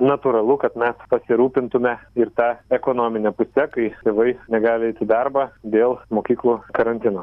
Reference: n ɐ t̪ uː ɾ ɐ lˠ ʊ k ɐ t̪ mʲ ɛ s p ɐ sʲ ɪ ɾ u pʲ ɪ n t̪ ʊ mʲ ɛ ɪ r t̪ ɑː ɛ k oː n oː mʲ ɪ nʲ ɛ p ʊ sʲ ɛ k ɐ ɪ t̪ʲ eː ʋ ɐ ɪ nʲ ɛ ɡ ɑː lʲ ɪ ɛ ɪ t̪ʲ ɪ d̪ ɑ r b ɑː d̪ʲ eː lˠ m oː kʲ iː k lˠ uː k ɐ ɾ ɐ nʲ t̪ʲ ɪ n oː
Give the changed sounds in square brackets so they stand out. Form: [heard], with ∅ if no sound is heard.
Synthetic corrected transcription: n ɐ t̪ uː ɾ ɐ lˠ ʊ k ɐ t̪ mʲ ɛ s p ɐ sʲ ɪ ɾ [uː] pʲ ɪ n t̪ ʊ mʲ ɛ ɪ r t̪ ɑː ɛ k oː n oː mʲ ɪ nʲ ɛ p ʊ sʲ ɛ k ɐ ɪ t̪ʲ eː ʋ ɐ ɪ nʲ ɛ ɡ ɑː lʲ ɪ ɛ ɪ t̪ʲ ɪ d̪ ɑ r b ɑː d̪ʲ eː lˠ m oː kʲ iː k lˠ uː k ɐ ɾ ɐ nʲ t̪ʲ ɪ n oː